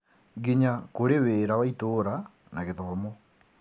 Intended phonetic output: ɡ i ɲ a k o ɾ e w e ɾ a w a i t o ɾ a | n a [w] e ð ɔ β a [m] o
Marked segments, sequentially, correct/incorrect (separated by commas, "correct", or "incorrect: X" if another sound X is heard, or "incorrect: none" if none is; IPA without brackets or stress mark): incorrect: ɣ, correct